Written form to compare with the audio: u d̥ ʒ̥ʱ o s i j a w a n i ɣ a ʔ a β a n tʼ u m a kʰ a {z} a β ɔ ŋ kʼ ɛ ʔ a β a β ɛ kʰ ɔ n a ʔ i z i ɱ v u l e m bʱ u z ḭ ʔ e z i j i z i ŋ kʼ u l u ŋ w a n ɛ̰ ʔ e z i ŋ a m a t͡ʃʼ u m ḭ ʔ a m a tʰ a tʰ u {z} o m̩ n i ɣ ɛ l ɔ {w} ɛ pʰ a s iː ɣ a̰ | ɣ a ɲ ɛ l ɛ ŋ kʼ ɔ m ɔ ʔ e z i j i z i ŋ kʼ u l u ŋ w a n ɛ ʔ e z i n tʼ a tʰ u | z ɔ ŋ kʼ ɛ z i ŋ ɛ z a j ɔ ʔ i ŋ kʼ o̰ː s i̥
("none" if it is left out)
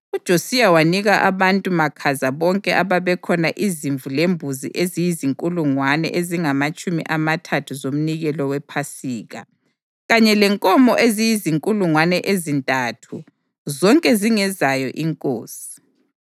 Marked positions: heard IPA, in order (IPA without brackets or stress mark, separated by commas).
z, z, w